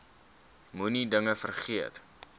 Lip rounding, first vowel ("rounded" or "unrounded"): rounded